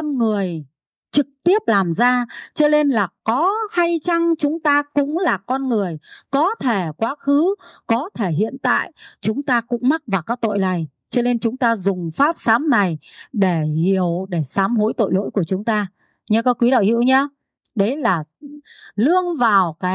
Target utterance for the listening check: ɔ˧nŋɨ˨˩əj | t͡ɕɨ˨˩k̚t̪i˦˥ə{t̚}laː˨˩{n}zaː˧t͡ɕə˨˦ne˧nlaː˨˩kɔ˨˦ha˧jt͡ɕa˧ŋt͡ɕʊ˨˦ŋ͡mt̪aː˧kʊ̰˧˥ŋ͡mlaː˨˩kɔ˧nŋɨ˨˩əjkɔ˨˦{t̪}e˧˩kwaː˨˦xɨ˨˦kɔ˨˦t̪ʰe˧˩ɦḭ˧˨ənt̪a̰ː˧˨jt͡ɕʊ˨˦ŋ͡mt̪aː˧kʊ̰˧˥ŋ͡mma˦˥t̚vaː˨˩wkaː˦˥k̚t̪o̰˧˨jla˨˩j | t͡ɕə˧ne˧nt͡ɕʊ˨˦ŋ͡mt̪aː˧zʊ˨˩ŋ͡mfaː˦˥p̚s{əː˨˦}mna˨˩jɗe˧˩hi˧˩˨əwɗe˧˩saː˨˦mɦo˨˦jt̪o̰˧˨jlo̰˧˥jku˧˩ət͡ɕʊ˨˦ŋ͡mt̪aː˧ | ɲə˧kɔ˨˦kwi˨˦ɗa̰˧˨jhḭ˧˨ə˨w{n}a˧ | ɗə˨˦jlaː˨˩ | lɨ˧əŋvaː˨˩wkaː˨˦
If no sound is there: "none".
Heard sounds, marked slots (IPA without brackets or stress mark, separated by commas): p̚, m, t̪ʰ, aː˨˦, ɲ